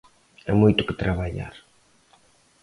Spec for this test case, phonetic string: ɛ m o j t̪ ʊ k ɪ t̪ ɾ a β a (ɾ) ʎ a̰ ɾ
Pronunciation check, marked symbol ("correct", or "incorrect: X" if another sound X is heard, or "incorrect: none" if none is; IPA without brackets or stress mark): incorrect: none